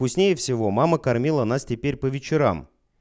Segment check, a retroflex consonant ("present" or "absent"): absent